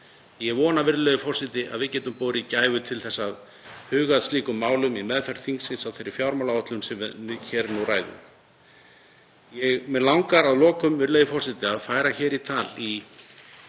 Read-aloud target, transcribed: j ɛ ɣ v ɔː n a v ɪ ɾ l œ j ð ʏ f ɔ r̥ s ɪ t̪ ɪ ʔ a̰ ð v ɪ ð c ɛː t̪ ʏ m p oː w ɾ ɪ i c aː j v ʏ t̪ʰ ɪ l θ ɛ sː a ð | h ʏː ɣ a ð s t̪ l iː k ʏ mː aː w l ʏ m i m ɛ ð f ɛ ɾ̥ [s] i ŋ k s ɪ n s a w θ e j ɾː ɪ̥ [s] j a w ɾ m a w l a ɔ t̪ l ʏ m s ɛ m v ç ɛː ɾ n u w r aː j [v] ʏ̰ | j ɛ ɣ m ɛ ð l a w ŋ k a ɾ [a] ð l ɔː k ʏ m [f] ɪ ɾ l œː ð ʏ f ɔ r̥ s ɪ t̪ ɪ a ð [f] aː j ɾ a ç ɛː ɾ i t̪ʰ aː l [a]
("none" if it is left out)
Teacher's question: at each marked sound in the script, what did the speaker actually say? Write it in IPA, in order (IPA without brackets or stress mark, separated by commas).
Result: θ, f, ð, a, v, f, i